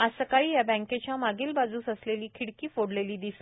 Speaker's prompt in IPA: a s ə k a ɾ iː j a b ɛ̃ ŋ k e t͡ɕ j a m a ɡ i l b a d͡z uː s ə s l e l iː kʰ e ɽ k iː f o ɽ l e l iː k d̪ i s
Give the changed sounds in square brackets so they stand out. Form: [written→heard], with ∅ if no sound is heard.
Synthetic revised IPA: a s ə k a [ɾ→ɭ] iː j a b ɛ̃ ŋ k e t͡ɕ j a m a ɡ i l b a d͡z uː s ə s l e l iː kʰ [e→i] ɽ k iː f o ɽ l e l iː [k→∅] d̪ i s